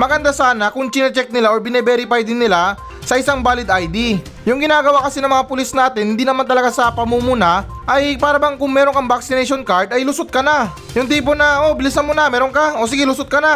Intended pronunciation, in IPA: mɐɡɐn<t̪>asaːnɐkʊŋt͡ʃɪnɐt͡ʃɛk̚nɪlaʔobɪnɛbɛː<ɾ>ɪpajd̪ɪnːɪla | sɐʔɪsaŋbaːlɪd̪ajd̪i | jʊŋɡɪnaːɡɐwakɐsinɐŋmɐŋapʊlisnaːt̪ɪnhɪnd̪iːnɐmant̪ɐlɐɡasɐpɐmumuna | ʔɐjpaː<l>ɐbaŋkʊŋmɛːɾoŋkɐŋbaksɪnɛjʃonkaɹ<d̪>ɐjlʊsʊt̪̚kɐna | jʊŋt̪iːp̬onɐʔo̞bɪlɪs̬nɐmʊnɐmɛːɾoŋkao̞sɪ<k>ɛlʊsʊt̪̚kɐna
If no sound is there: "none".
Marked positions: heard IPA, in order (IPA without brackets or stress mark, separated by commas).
d̪, ɾ, ɾ, d̪, ɡ